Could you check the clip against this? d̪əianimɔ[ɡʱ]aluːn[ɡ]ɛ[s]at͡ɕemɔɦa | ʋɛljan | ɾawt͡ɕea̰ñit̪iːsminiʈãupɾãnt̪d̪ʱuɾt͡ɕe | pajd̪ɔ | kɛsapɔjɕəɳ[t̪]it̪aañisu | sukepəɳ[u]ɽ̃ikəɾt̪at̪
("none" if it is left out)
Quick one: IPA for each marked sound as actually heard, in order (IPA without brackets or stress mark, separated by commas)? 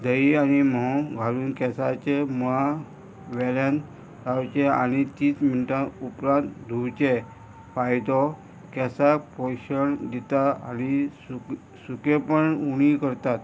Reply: ɡʱ, k, s, d̪, u